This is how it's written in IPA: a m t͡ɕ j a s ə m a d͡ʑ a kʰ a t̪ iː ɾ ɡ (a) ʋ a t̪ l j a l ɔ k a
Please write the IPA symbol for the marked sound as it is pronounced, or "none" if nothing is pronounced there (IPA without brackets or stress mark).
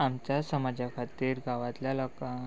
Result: a